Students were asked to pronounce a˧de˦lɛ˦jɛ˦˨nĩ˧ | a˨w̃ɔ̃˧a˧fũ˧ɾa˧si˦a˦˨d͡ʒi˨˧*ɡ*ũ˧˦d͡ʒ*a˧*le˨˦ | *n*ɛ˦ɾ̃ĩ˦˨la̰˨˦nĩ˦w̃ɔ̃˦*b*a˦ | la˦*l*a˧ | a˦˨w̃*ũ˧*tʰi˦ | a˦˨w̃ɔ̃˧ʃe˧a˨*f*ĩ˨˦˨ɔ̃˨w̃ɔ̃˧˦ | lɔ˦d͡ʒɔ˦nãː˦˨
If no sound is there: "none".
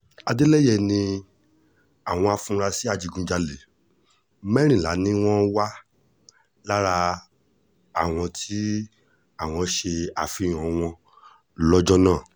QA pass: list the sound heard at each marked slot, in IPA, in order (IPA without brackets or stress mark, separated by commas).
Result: ɡ, a˧, m, w, ɾ, ɔ̃˧, f